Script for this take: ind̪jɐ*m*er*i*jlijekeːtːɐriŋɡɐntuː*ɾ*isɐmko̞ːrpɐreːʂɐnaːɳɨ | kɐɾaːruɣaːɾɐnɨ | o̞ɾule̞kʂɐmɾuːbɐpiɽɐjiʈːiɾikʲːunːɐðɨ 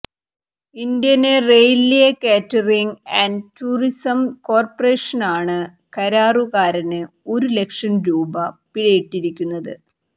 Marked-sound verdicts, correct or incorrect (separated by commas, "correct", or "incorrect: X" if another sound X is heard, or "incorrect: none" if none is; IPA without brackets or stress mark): incorrect: n, incorrect: e, incorrect: r